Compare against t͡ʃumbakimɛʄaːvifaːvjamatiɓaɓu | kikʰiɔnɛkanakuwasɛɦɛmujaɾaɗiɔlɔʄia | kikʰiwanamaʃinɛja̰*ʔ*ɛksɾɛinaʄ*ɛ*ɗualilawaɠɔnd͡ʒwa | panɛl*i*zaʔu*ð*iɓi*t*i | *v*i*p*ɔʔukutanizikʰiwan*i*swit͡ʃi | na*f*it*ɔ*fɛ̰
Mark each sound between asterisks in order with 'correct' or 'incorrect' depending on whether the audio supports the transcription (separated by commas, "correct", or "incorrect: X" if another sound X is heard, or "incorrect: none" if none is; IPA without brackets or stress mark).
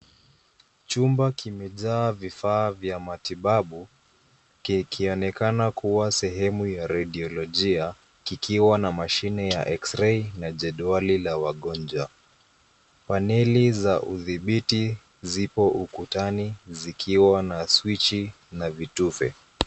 correct, correct, correct, correct, correct, incorrect: z, correct, incorrect: a, incorrect: v, incorrect: u